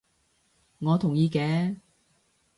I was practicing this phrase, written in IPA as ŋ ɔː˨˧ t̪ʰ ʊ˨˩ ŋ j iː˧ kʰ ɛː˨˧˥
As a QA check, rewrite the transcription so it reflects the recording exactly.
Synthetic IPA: ŋ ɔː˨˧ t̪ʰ ʊ˨˩ ŋ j iː˧ k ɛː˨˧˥